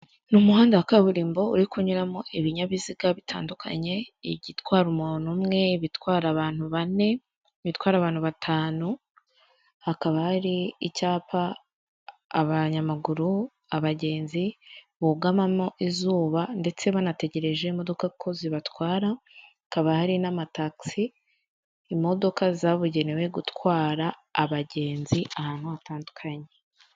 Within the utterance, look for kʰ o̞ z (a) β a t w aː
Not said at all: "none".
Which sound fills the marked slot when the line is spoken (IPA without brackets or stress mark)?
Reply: i